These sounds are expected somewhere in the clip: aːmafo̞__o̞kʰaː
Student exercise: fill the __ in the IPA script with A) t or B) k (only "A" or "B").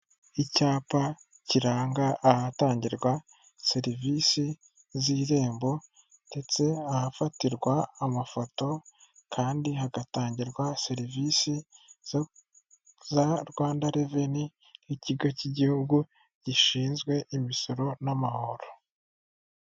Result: A